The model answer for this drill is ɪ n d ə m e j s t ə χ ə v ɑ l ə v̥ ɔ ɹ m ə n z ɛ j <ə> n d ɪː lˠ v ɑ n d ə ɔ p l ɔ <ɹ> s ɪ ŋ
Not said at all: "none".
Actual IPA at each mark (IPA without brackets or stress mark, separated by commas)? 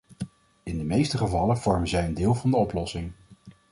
ə, none